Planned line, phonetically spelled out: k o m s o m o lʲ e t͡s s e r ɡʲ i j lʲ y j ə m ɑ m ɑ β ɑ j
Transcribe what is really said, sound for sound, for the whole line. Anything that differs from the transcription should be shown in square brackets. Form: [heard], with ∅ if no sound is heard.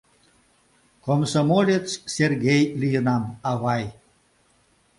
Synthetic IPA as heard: k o m s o m o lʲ e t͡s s e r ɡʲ [e] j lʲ [i] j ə [n] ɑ m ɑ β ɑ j

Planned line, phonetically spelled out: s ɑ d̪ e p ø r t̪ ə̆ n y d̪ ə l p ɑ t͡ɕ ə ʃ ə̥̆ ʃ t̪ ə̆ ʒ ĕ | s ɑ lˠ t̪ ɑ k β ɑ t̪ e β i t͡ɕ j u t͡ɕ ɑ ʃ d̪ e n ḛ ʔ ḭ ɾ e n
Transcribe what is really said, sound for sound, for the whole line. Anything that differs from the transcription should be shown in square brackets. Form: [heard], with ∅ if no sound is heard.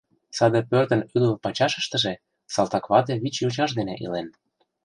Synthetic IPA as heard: s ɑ d̪ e p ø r t̪ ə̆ n y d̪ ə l p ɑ t͡ɕ [ɑ] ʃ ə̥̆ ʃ t̪ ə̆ ʒ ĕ | s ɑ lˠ t̪ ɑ k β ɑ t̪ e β i t͡ɕ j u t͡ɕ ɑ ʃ d̪ e n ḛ ʔ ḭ [l] e n

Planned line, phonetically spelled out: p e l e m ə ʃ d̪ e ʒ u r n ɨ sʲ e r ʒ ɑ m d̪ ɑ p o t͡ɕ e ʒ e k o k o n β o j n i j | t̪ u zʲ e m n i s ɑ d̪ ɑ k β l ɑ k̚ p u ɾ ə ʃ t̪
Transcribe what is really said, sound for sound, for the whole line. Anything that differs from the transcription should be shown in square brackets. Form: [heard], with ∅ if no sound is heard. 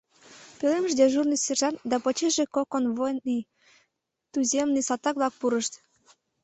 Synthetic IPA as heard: p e l e m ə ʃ d̪ e ʒ u r n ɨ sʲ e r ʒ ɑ [n] d̪ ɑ p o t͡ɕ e ʒ e k o k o n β o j n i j | t̪ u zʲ e m n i s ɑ [t̪] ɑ k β l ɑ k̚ p u ɾ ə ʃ t̪

